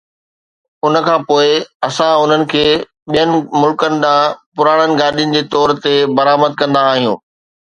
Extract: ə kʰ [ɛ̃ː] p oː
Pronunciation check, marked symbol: incorrect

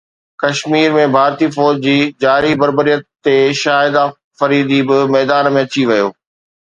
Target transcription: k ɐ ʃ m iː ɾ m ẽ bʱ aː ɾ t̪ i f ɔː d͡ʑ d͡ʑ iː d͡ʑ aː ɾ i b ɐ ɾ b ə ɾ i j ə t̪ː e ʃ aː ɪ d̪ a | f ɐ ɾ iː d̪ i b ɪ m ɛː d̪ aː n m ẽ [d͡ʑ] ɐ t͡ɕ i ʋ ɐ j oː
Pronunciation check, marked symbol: incorrect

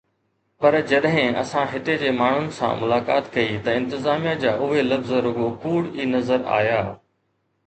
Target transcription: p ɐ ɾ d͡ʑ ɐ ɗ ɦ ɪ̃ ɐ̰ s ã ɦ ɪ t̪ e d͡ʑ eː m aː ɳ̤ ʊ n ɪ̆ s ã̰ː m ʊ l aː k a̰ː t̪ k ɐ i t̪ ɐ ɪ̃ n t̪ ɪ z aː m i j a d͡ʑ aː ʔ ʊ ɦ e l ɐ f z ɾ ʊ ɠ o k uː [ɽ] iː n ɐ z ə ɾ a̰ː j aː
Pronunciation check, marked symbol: correct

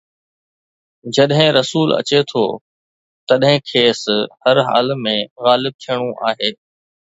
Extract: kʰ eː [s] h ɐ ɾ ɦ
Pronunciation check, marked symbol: correct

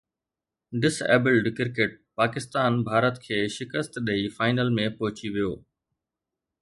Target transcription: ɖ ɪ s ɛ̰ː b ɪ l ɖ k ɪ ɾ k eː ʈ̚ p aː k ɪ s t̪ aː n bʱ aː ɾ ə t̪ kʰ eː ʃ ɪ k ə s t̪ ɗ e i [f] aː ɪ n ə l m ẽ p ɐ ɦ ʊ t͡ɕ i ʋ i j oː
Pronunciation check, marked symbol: correct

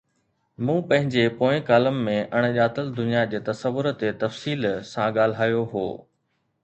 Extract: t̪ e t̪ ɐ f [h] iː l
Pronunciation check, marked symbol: incorrect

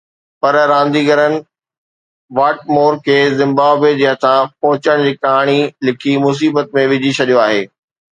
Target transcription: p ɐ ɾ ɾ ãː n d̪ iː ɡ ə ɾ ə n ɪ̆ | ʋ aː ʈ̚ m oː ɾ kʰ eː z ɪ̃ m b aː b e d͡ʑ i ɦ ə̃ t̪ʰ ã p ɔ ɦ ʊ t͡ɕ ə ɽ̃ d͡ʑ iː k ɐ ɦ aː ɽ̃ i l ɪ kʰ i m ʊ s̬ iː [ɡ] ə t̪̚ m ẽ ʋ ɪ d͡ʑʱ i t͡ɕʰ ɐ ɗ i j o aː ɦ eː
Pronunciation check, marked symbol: incorrect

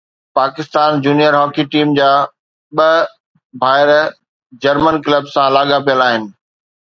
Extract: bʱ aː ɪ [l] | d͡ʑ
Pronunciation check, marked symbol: incorrect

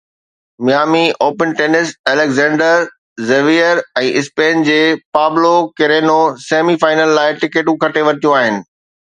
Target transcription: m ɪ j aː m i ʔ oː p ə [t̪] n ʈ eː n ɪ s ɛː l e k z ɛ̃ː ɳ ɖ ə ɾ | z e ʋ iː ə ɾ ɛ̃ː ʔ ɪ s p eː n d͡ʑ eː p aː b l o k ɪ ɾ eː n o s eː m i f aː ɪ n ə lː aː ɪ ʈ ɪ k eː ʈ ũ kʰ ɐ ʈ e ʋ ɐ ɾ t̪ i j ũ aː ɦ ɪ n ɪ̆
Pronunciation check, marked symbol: incorrect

